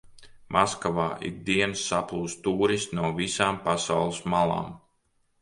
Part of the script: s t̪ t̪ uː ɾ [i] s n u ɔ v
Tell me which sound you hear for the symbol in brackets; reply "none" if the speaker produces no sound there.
i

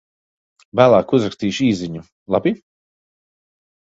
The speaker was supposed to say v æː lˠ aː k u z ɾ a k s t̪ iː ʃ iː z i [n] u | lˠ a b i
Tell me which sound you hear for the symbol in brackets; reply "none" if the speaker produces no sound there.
ɲ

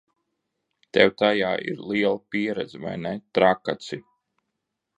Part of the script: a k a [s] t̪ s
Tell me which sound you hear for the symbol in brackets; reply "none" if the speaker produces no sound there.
none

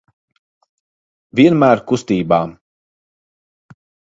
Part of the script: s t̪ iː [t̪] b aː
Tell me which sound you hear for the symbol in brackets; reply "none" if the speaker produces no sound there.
none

